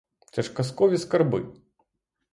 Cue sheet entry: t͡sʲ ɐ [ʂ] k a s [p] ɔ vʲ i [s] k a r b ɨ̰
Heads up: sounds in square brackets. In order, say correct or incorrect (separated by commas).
correct, incorrect, correct